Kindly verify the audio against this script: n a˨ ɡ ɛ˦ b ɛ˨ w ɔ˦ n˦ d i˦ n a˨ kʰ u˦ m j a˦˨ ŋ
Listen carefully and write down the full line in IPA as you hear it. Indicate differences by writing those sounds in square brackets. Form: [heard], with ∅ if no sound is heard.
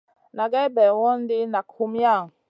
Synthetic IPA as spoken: n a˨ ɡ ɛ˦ b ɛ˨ w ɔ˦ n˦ d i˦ n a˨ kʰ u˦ m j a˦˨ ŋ